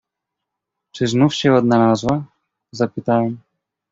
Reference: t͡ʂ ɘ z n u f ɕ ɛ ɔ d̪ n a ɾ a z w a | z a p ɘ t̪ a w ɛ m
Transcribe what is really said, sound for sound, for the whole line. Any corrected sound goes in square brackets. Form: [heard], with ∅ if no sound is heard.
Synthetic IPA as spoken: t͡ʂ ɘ z n u f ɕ ɛ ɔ d̪ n a [l] a z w a | z a p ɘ t̪ a w ɛ m